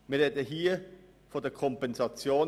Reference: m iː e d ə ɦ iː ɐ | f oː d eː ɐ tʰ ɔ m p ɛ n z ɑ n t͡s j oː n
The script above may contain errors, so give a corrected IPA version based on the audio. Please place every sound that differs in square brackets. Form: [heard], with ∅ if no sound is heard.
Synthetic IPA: m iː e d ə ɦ iː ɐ | f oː d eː ɐ [kʰ] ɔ m p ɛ n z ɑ [∅] t͡s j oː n